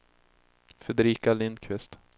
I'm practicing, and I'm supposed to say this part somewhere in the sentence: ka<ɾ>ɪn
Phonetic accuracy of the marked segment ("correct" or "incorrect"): incorrect